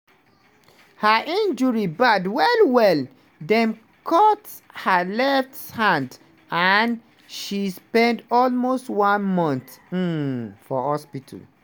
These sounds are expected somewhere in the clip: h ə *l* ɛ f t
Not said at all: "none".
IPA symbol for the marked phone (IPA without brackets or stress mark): l